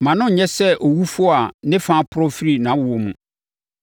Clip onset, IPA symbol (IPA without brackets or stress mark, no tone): m